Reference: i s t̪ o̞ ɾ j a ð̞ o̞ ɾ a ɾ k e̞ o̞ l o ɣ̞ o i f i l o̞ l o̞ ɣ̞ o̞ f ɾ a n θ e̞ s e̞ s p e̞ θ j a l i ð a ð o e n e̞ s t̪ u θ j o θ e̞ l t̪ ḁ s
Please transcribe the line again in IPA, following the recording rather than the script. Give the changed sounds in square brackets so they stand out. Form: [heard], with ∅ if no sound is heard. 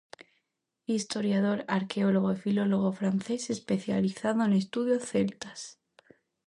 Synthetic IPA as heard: i s t̪ o̞ ɾ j a ð̞ o̞ ɾ a ɾ k e̞ o̞ l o ɣ̞ o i f i l o̞ l o̞ ɣ̞ o̞ f ɾ a n θ e̞ s e̞ s p e̞ θ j a l i [θ] a ð o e n e̞ s t̪ u [ð] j o θ e̞ l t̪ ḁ s